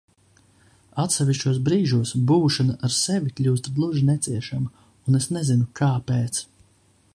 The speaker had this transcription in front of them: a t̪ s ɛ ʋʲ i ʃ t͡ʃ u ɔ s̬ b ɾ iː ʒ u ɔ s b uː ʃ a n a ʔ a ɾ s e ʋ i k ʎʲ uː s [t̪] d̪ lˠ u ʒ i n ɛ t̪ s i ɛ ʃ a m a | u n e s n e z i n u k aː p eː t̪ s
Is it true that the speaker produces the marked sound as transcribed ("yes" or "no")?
yes